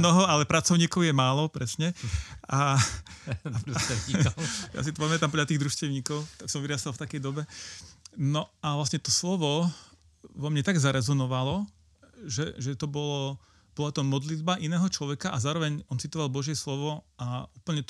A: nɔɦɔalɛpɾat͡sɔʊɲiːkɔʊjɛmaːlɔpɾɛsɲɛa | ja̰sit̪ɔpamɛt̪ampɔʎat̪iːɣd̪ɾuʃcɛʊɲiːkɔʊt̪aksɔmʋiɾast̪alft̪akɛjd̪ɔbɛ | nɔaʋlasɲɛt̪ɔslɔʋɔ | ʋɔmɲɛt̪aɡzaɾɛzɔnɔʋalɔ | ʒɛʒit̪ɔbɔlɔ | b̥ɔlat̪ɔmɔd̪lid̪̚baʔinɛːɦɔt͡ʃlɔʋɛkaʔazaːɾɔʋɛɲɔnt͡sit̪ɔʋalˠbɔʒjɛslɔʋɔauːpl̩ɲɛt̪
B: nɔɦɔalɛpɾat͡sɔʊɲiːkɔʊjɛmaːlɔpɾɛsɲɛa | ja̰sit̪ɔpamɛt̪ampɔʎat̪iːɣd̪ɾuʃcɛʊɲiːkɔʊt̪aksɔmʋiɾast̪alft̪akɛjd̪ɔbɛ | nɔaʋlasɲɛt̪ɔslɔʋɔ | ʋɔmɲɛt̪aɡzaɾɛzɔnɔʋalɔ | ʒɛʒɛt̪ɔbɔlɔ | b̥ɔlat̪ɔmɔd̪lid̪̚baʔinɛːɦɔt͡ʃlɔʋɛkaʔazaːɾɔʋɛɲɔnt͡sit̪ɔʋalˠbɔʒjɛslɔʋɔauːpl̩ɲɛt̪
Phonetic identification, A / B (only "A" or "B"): B